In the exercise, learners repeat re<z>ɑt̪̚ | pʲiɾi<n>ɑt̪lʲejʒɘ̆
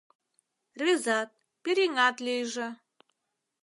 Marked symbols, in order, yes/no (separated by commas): yes, no